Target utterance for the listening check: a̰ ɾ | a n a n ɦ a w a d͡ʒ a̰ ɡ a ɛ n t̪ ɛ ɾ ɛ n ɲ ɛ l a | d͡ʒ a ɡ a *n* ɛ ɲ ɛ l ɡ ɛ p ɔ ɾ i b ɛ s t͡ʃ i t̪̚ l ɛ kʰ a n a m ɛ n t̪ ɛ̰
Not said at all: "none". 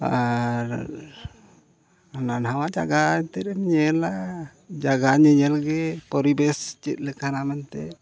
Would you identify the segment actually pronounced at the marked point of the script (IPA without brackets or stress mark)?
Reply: ɲ